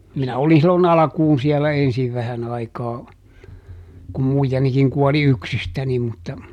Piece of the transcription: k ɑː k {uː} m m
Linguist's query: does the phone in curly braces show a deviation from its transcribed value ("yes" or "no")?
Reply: yes